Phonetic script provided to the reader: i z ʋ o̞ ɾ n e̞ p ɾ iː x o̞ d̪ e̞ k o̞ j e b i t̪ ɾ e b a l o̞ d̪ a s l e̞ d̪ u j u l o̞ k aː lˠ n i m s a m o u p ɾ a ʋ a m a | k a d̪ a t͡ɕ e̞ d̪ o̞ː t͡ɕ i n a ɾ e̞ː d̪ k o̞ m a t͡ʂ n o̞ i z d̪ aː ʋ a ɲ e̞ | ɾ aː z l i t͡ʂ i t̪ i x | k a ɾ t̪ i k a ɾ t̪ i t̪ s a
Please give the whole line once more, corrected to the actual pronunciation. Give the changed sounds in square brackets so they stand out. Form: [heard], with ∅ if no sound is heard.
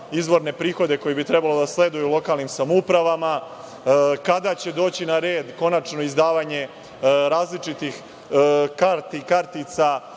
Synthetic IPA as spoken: i z ʋ o̞ ɾ n e̞ p ɾ iː x o̞ d̪ e̞ k o̞ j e b i t̪ ɾ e b a l o̞ d̪ a s l e̞ d̪ u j u l o̞ k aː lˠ n i m s a m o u p ɾ a ʋ a m a | k a d̪ a t͡ɕ e̞ d̪ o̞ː t͡ɕ i n a ɾ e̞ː d̪ k o̞ [n] a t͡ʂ n o̞ i z d̪ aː ʋ a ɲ e̞ | ɾ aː z l i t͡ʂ i t̪ i x | k a ɾ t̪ i k a ɾ t̪ i t̪ s a